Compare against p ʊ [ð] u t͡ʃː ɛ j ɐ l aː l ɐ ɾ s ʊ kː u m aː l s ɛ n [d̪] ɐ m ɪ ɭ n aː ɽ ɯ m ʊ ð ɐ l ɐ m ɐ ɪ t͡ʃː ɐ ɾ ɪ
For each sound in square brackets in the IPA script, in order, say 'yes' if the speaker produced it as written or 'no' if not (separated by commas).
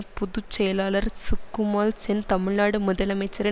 yes, no